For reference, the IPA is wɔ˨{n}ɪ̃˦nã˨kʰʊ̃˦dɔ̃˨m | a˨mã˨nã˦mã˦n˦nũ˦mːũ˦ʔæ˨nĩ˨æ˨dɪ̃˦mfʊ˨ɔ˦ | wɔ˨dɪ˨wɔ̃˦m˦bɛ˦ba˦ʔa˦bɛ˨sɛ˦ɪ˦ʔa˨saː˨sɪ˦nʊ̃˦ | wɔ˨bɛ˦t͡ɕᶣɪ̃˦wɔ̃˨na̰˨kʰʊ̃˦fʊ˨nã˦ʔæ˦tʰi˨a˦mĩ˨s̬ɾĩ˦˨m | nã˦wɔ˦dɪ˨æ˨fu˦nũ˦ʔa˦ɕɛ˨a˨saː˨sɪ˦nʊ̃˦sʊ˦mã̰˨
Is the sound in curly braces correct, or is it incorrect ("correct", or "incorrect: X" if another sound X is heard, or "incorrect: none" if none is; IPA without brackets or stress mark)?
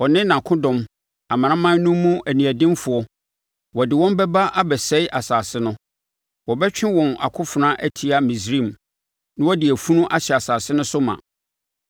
correct